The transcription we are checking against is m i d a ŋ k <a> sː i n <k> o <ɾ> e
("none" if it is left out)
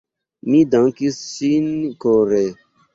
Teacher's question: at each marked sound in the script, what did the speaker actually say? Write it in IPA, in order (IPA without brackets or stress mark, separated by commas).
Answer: i, k, ɾ